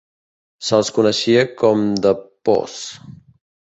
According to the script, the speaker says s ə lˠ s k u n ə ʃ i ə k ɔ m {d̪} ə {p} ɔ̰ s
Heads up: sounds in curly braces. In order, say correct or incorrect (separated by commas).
correct, correct